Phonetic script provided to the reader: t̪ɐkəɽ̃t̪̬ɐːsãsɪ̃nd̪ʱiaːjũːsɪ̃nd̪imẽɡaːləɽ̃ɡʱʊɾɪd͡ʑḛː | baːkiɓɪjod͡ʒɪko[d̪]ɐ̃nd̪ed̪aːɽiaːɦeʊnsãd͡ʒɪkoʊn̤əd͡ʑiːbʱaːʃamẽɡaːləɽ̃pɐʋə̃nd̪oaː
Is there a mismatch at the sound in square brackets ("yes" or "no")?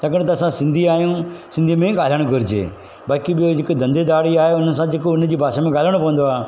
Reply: no